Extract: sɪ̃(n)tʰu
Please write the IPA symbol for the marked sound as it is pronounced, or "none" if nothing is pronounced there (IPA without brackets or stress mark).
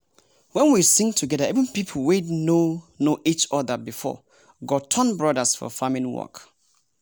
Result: ŋ